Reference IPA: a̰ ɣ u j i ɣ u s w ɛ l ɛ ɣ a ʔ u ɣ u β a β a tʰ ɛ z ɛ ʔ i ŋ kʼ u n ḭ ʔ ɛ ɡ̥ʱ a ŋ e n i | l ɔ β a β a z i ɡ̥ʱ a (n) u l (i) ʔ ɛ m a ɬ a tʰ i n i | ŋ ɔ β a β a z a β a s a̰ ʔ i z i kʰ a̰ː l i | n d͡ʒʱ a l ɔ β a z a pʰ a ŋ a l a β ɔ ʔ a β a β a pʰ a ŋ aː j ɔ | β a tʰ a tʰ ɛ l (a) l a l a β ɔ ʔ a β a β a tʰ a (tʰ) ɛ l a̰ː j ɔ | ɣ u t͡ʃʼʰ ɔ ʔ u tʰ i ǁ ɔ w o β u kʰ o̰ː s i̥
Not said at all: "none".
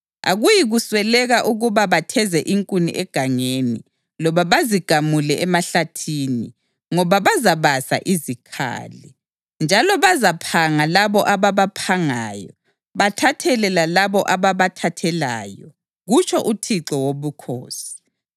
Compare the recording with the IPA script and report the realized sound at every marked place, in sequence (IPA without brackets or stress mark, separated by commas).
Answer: m, ɛ, ɛ, tʰ